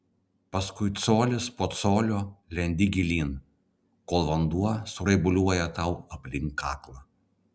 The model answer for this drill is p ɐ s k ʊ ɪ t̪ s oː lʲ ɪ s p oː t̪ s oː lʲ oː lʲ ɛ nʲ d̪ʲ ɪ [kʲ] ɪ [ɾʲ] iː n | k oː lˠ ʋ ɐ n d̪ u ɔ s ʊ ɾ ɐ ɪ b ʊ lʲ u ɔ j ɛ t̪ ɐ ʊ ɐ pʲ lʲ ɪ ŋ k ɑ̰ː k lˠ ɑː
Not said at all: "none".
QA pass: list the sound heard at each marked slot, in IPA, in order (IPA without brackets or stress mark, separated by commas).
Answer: ɡʲ, lʲ